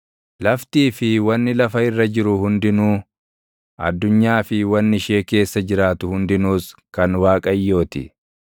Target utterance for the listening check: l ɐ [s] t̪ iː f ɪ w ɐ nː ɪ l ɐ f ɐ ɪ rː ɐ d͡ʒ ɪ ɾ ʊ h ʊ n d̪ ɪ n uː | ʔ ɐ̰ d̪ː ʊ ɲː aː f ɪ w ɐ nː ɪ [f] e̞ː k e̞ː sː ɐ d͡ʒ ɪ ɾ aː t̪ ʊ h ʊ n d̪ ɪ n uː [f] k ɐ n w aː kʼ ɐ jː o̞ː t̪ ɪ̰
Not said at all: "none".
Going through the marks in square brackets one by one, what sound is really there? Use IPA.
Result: f, ʃ, s

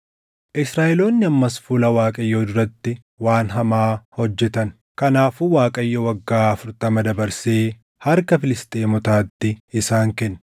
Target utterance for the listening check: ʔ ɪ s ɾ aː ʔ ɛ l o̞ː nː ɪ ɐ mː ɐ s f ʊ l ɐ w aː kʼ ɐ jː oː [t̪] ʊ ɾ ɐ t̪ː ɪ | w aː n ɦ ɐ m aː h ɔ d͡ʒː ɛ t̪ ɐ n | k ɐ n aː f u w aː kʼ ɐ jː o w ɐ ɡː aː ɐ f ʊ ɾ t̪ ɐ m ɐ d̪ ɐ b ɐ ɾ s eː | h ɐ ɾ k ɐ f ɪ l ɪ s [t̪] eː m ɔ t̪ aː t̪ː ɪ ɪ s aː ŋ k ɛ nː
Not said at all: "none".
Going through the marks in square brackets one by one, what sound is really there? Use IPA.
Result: d̪, t̪ʼ

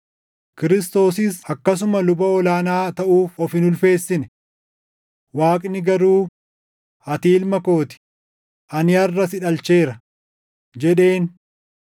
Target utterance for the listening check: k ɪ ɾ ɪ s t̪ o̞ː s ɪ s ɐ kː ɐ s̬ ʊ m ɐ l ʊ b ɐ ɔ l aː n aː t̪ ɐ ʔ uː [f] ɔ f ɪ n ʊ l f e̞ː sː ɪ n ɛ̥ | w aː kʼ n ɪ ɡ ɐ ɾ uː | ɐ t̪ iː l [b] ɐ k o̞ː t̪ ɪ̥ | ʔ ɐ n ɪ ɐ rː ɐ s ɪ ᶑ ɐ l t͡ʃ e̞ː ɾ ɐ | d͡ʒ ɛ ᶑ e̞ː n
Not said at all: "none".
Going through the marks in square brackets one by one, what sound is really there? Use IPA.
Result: f, m

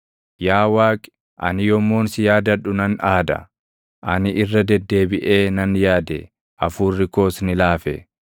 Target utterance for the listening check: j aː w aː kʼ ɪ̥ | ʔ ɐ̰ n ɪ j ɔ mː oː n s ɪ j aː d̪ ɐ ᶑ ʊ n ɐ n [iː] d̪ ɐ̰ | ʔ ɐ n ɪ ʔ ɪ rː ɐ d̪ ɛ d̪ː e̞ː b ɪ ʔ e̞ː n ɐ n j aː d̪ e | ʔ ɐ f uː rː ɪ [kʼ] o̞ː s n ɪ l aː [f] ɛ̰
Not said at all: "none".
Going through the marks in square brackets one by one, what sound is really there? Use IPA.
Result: aː, k, f

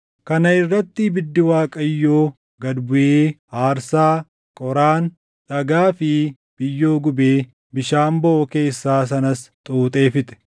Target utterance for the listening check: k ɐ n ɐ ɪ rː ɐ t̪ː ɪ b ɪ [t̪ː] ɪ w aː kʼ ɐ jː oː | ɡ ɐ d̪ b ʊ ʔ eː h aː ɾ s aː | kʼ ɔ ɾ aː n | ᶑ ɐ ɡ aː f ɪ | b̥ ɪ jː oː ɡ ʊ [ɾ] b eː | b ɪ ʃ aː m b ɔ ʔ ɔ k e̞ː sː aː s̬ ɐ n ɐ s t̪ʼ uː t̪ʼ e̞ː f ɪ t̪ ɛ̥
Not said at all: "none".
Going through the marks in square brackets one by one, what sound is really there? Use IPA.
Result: d̪ː, none

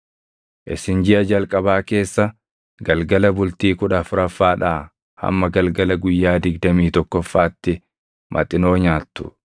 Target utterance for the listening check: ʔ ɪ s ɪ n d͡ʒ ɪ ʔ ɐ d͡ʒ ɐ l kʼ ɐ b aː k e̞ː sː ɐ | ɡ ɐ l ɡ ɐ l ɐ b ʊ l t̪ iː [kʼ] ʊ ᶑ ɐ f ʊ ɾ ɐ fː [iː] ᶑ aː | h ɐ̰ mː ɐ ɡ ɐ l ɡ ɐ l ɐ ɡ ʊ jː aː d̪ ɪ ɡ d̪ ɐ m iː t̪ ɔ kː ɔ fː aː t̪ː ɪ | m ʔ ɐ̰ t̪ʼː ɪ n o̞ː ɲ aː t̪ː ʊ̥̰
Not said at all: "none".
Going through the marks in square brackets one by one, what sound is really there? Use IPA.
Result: k, aː

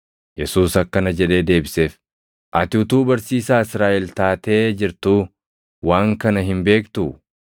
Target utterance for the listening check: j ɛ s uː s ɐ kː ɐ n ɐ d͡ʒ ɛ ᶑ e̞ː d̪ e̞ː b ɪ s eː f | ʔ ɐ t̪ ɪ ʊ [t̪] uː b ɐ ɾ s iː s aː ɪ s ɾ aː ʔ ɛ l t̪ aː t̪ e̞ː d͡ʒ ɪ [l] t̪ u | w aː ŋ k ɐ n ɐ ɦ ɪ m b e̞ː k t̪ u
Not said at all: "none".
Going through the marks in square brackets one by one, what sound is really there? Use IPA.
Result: t̪, ɾ

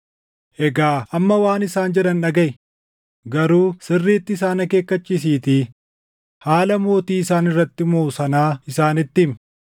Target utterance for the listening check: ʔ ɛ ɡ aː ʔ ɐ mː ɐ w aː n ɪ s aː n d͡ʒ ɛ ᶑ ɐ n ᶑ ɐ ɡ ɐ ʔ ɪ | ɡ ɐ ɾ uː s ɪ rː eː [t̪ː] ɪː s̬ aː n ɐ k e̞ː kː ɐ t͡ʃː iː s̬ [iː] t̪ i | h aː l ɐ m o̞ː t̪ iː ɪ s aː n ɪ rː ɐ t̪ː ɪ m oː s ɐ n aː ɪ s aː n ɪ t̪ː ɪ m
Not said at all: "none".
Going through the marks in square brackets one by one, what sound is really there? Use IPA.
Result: t̪ː, iː

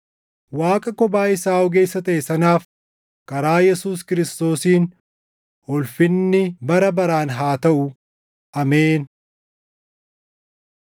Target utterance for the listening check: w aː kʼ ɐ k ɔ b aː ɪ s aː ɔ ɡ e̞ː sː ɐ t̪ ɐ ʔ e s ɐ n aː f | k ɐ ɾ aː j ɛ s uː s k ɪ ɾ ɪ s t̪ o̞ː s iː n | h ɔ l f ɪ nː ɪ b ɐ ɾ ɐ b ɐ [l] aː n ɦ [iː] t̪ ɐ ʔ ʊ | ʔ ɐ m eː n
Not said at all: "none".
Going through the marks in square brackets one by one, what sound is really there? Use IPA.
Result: ɾ, aː

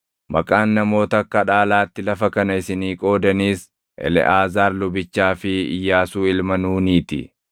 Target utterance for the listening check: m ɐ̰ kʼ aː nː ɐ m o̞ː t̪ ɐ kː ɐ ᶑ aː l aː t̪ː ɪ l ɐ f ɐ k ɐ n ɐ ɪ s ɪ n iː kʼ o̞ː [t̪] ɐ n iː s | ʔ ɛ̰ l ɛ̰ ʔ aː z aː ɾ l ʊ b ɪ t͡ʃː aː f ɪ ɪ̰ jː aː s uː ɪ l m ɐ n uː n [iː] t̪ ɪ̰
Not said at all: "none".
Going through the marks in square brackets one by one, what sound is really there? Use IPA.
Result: d̪, iː

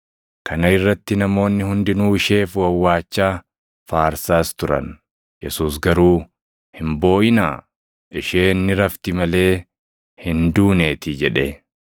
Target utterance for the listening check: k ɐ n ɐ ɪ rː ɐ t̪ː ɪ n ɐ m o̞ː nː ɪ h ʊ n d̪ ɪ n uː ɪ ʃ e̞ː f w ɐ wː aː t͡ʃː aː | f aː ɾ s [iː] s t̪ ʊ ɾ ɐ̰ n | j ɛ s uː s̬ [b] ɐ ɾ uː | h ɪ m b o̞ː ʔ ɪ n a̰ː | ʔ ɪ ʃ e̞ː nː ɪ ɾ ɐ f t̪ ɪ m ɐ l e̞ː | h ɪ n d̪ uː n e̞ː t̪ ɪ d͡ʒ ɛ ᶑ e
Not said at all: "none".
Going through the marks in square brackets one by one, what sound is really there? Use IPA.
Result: aː, ɡ

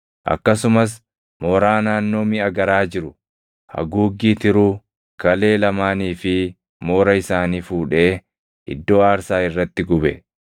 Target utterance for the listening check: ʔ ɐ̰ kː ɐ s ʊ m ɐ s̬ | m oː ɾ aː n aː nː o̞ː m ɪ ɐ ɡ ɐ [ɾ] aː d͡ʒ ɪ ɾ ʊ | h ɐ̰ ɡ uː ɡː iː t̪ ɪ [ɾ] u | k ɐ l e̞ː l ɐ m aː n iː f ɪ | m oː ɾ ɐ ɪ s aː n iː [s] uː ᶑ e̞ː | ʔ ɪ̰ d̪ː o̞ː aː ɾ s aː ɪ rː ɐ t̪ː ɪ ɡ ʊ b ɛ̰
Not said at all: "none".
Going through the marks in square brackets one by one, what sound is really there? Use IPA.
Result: ɾ, ɾ, f

